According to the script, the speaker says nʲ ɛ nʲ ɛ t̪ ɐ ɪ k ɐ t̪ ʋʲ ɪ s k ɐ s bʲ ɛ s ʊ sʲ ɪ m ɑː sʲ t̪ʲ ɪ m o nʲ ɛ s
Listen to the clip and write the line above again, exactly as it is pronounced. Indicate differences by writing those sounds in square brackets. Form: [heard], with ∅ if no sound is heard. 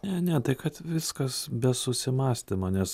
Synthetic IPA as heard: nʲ ɛ nʲ ɛ t̪ ɐ ɪ k ɐ t̪ ʋʲ ɪ s k ɐ s bʲ ɛ s ʊ sʲ ɪ m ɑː sʲ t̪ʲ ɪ m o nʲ ɛ s